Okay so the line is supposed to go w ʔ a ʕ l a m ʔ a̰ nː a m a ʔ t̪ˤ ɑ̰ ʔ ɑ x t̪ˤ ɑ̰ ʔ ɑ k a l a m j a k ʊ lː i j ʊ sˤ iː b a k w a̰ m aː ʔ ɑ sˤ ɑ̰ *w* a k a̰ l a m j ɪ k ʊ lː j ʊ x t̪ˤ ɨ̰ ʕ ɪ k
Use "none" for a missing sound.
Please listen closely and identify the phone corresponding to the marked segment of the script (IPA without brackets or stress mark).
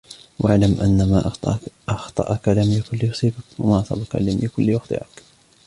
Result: b